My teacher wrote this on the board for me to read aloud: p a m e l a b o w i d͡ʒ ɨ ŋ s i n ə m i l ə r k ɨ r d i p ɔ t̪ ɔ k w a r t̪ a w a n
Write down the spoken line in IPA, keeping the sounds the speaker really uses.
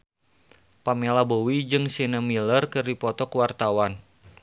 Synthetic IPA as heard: p a m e l a b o w i d͡ʒ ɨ ŋ s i n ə m i l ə r k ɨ r d i p ɔ t̪ ɔ k w a r t̪ a w a n